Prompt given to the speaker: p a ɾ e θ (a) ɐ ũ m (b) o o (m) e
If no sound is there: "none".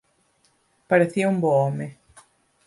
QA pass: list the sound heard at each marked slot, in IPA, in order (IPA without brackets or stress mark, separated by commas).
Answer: i, b, m